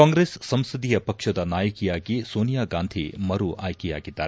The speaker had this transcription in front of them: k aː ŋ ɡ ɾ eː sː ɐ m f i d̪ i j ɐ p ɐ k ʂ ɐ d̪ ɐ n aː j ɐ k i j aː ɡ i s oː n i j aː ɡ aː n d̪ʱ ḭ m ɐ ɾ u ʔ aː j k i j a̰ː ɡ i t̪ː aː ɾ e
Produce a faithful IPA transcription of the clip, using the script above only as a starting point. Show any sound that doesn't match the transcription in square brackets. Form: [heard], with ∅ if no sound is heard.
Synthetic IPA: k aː ŋ ɡ ɾ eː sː ɐ m [s] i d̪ i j ɐ p ɐ k ʂ ɐ d̪ ɐ n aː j ɐ k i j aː ɡ i s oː n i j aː ɡ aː n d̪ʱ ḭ m ɐ ɾ u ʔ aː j k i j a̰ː ɡ i [d̪ː] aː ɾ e